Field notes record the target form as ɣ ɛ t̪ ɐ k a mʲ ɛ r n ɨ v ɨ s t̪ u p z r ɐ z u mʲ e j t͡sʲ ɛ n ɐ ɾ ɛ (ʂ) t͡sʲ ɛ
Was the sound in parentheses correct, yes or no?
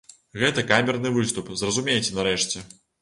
yes